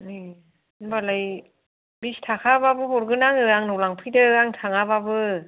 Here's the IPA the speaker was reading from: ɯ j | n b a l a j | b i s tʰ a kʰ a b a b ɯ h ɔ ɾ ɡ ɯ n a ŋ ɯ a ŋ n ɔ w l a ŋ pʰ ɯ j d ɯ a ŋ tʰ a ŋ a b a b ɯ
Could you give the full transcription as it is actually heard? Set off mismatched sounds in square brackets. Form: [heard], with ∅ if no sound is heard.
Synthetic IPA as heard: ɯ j | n b a l a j | b i s tʰ a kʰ a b a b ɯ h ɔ ɾ ɡ ɯ n a ŋ ɯ a ŋ n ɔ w l a ŋ pʰ ɯ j d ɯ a ŋ tʰ a ŋ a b a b ɯ